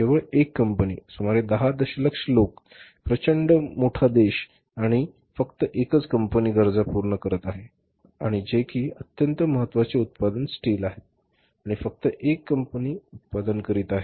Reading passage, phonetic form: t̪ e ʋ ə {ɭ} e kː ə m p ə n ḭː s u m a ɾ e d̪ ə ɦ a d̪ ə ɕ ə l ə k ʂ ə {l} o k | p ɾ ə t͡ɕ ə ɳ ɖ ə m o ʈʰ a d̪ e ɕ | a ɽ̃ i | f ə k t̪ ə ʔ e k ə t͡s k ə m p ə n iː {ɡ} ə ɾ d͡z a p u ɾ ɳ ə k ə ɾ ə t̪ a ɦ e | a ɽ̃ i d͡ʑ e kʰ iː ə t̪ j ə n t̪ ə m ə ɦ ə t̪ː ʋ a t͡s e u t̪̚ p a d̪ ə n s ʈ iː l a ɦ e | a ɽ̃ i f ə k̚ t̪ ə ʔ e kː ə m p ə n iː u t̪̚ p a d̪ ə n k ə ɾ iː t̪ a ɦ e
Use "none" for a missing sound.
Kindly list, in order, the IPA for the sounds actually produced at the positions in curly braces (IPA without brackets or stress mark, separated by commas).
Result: ɭ, l, ɡ